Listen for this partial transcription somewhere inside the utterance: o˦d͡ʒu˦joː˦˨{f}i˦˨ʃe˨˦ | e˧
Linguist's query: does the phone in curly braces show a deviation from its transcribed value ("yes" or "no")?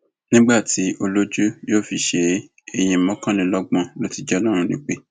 no